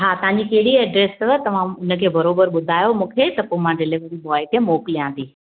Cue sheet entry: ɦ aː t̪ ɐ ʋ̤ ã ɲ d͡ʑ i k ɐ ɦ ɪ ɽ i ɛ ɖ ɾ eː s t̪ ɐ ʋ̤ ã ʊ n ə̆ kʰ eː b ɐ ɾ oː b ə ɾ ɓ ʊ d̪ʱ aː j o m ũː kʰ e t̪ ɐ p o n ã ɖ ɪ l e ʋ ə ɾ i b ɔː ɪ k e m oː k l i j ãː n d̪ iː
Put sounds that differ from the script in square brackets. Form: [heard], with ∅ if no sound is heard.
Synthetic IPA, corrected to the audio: ɦ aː t̪ ɐ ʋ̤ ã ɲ d͡ʑ i k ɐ ɦ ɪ ɽ i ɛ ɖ ɾ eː s t̪ ɐ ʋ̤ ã ʊ n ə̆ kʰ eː b ɐ ɾ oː b ə ɾ ɓ ʊ d̪ʱ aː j o m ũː kʰ e t̪ ɐ p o [m] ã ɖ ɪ l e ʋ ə ɾ i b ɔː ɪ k e m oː k l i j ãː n d̪ iː